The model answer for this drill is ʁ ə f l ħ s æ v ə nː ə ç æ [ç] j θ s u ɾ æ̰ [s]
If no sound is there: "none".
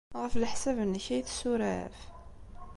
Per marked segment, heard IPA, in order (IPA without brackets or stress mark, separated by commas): none, f